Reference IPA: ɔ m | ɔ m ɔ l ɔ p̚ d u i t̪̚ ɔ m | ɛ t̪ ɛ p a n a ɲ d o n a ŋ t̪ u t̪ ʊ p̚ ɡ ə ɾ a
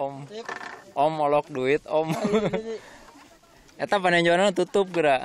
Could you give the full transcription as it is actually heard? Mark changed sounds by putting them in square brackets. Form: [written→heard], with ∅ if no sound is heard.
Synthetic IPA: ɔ m | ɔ m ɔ l ɔ [p̚→k̚] d u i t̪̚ ɔ m | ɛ t̪ [ɛ→a] p a n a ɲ [d→d͡ʒ] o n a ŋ t̪ u t̪ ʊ p̚ ɡ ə ɾ a